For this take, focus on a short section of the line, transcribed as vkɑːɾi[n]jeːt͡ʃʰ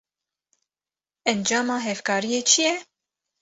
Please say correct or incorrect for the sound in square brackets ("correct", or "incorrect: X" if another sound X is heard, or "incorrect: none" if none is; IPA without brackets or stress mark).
incorrect: none